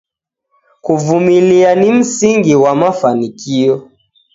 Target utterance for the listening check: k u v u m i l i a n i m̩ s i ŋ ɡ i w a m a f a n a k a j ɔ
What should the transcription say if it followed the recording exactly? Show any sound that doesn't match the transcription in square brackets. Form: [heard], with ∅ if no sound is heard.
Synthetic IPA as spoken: k u v u m i l i a n i m̩ s i ŋ ɡ i w a m a f a n [i] k [i] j ɔ